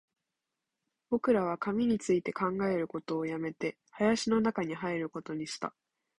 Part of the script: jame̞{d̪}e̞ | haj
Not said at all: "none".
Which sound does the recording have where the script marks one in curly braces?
t̪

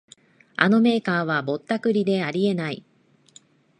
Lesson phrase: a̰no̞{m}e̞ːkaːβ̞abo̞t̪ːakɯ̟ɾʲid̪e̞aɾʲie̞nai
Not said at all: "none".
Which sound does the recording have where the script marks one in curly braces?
m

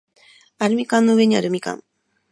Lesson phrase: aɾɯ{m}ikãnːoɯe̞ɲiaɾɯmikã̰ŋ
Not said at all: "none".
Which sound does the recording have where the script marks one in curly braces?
m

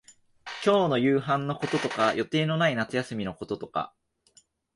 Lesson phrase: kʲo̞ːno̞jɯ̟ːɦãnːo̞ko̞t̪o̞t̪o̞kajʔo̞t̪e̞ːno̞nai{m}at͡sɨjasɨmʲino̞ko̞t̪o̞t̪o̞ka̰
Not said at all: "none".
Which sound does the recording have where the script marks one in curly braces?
n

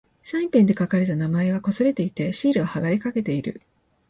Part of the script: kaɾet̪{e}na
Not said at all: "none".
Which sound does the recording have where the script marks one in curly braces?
a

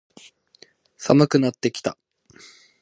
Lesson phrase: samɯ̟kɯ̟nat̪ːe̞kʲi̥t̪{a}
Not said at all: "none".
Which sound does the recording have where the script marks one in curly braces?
a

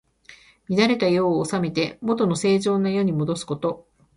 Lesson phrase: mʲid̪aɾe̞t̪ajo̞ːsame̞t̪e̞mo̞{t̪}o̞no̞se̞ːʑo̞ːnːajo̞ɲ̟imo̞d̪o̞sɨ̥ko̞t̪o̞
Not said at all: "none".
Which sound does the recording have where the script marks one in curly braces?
t̪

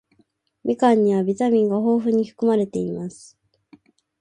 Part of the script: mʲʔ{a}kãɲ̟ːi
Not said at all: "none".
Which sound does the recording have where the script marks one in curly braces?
i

